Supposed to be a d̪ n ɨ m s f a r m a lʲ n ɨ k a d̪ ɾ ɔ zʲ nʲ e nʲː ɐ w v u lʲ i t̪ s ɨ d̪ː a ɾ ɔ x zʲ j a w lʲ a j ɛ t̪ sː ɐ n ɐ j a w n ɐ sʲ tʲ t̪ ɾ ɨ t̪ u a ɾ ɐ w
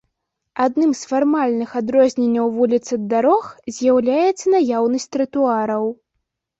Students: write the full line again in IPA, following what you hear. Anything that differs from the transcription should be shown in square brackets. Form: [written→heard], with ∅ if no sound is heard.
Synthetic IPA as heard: a d̪ n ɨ m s f a r m a lʲ n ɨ [k→x] a d̪ ɾ ɔ zʲ nʲ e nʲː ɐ w v u lʲ i t̪ s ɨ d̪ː a ɾ ɔ x zʲ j a w lʲ a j ɛ t̪ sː ɐ n [ɐ→a] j a w n ɐ sʲ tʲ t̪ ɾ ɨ t̪ u a ɾ ɐ w